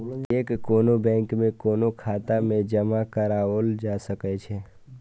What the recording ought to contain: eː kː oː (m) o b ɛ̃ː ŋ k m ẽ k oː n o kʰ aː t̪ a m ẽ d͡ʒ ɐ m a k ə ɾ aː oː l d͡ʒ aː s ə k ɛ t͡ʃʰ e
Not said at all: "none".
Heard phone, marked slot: n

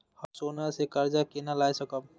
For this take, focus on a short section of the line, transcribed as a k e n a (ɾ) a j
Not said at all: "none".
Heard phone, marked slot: l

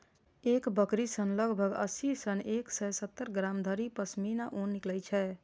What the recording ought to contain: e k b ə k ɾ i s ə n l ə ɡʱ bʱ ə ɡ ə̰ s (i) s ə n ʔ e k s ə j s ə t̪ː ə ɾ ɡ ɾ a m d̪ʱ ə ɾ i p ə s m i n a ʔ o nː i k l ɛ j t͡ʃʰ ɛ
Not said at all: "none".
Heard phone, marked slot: i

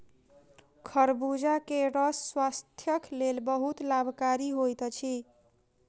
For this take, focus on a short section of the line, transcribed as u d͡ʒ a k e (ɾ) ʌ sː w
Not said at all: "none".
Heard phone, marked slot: ɾ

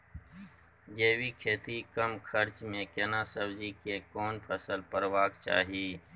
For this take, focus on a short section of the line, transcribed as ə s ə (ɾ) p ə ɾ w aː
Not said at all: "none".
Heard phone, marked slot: l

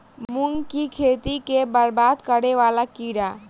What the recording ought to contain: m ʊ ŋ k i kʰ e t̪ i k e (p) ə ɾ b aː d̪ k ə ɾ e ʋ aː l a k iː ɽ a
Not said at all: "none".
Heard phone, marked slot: b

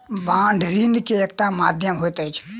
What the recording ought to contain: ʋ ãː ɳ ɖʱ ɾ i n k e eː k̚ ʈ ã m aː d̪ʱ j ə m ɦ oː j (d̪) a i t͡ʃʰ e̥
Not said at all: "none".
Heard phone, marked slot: t̪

